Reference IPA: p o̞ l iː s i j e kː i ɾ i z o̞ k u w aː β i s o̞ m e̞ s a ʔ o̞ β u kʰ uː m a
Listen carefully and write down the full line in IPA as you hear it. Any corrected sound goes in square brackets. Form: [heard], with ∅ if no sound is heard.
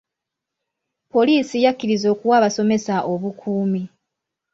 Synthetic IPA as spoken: p o̞ l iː s i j [a] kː i ɾ i z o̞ k u w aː β [a] s o̞ m e̞ s a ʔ o̞ β u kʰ uː m [i]